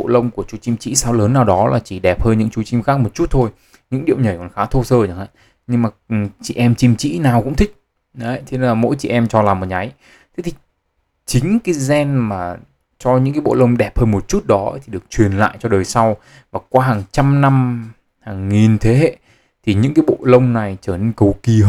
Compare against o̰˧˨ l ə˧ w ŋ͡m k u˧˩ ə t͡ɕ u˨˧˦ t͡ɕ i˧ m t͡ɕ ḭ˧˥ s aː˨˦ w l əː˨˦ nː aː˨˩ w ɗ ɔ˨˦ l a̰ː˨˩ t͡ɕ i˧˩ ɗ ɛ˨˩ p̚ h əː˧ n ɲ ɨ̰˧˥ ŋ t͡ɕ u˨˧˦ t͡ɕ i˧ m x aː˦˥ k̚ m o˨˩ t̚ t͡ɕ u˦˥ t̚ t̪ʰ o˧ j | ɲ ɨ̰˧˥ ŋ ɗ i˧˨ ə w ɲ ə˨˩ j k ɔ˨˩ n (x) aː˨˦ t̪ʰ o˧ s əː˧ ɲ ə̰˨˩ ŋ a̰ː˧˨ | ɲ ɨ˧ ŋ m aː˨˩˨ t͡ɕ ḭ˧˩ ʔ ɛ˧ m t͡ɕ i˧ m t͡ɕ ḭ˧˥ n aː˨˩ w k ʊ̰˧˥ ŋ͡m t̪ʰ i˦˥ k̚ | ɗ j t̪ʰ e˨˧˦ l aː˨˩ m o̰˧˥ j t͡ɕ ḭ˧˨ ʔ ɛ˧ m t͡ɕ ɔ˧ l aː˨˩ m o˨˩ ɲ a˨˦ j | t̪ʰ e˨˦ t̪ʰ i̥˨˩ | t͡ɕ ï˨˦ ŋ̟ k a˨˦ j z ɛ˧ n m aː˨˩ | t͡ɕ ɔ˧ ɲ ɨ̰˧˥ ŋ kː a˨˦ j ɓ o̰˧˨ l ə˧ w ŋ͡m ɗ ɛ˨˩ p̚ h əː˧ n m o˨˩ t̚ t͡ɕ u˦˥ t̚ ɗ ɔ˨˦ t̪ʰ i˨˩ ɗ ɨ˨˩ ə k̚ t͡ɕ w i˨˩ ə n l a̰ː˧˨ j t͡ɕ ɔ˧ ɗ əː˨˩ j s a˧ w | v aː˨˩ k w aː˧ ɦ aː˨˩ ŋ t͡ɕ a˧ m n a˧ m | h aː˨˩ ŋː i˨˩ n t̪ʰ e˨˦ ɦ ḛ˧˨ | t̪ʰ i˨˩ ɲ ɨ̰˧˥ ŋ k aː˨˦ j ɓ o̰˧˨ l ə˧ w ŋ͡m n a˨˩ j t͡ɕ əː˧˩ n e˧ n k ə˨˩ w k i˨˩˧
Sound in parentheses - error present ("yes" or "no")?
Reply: no